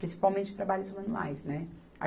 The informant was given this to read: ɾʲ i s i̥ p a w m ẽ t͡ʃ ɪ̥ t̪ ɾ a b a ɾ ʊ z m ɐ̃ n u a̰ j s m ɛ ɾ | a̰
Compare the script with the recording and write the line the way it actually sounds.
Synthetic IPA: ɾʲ ĩ s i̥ p a w m ẽ t͡ʃ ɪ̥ t̪ ɾ a b a ʎ ʊ z m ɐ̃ n u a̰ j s n ɛ | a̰